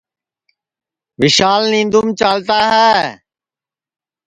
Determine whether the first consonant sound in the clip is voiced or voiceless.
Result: voiced